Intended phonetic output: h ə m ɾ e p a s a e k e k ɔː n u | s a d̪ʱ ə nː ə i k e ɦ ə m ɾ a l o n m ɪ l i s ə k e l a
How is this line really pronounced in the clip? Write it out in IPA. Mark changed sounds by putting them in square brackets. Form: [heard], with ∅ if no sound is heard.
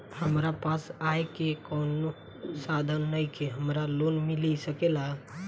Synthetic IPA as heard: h ə m ɾ [a] p a s a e k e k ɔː n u | s a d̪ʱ ə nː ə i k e ɦ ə m ɾ a l o n m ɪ l i s ə k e l a